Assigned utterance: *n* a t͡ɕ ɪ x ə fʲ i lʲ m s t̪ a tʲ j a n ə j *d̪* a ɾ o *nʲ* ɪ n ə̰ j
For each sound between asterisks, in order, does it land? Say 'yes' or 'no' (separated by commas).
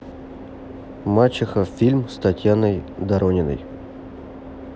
no, yes, yes